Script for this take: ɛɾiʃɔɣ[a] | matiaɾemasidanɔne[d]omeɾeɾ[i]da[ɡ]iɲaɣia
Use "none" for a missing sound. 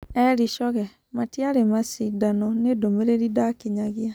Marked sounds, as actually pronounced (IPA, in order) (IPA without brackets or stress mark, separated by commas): ɛ, d, i, k